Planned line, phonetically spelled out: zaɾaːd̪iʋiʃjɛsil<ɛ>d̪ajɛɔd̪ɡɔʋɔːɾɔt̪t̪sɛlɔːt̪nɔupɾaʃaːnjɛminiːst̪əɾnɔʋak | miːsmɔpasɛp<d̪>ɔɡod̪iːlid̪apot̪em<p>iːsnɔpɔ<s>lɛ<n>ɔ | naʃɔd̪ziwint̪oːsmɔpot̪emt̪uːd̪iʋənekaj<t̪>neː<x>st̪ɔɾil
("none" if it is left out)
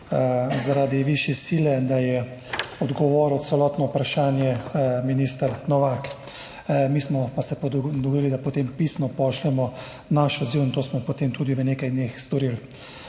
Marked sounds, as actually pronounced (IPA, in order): ɛ, d̪, p, ʃ, m, d̪, x

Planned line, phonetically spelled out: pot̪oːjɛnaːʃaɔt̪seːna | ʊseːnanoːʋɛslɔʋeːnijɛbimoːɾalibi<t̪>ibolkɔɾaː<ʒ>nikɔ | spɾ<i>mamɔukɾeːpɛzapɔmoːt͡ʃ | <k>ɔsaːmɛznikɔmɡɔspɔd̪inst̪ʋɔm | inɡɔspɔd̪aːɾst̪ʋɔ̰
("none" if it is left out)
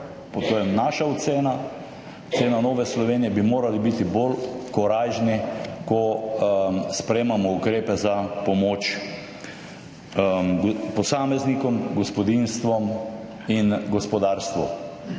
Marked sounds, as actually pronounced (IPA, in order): t̪, ʒ, e, p

